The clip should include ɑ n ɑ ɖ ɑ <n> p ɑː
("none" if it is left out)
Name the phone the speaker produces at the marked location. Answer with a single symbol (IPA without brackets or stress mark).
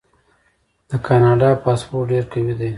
none